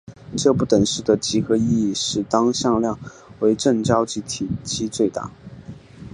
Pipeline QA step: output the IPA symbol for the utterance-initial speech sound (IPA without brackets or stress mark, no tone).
ʈ͡ʂ